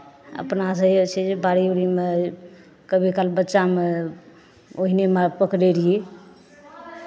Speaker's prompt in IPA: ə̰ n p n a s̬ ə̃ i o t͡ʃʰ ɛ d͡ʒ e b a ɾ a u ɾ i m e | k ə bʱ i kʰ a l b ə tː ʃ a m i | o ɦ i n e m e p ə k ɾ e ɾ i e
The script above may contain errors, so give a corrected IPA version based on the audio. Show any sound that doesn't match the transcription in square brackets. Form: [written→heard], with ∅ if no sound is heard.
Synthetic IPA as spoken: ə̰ [n→∅] p n a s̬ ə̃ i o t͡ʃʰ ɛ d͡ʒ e b a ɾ [a→i] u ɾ i m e | k ə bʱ i [kʰ→k] a l b ə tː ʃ a m [i→e] | o ɦ i n e m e p ə k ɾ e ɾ i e